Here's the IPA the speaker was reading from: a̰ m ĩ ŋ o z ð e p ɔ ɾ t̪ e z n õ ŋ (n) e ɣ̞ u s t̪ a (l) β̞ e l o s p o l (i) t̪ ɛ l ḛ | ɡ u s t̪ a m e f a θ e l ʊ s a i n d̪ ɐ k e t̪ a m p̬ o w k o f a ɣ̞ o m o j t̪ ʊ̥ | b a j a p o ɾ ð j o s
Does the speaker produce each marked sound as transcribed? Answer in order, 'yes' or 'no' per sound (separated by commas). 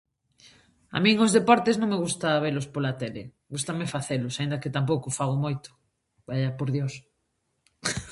no, no, no